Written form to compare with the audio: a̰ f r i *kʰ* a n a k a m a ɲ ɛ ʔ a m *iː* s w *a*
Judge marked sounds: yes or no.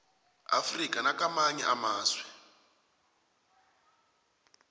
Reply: no, no, no

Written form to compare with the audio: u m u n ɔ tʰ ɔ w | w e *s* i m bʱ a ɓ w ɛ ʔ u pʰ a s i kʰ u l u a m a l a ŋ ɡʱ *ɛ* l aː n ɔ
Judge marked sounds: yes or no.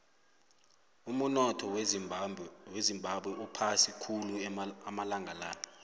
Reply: no, no

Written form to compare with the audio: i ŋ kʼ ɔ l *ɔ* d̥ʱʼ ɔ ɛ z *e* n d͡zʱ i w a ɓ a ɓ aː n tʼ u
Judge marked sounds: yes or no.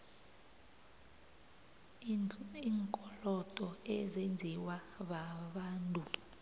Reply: yes, yes

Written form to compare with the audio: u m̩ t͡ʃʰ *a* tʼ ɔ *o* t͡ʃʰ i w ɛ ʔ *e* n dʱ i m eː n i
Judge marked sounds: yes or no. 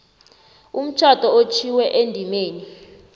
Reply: yes, yes, yes

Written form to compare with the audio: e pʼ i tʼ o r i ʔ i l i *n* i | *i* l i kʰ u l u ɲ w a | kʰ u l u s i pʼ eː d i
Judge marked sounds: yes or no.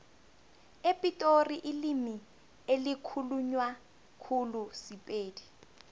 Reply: no, no

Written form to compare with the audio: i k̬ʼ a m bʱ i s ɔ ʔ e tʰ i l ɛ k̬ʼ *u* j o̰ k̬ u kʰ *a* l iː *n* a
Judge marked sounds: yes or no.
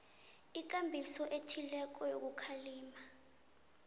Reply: no, yes, no

